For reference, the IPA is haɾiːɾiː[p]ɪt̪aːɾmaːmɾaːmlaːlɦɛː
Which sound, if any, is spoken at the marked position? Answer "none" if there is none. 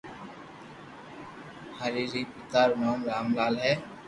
p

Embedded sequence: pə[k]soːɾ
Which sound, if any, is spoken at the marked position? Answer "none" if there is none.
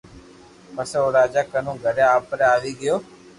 none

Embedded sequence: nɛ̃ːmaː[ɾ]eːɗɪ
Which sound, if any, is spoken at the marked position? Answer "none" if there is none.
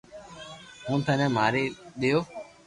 ɾ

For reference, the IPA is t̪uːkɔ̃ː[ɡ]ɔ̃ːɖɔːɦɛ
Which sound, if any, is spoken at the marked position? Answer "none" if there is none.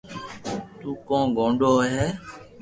ɡ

